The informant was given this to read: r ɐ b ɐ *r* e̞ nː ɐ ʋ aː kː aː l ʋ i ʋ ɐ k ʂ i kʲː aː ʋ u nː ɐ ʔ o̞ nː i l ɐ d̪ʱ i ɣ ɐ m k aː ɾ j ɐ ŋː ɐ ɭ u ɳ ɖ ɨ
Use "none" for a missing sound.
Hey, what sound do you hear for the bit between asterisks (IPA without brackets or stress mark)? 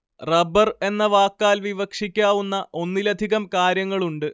r